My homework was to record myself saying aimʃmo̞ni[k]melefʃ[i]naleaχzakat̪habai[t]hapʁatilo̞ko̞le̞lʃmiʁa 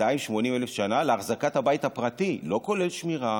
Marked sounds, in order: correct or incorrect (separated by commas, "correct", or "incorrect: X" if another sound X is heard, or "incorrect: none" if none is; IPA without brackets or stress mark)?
incorrect: none, incorrect: a, correct